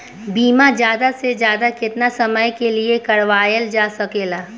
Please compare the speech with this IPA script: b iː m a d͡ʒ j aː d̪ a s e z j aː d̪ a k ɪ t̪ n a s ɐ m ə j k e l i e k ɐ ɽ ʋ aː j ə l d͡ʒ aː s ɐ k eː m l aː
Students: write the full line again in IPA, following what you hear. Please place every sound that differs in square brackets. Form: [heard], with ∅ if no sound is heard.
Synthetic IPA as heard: b iː m a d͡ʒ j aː d̪ a s e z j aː d̪ a k ɪ t̪ n a s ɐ m ə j k e l i e k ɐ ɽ ʋ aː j ə l d͡ʒ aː s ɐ k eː [∅] l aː